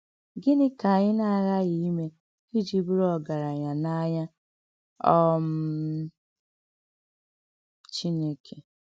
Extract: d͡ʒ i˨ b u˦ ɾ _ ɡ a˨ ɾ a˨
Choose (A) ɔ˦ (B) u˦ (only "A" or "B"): A